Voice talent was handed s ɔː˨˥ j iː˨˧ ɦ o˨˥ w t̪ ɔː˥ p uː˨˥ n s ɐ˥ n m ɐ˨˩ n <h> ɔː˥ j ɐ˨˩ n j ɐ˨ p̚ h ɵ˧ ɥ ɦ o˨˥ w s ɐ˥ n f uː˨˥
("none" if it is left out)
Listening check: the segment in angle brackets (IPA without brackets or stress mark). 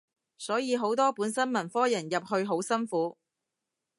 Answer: f